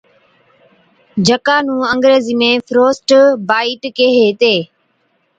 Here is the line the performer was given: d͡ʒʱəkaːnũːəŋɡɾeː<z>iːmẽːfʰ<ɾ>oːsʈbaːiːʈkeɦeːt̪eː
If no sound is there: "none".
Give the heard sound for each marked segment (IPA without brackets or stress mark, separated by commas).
z, ɾ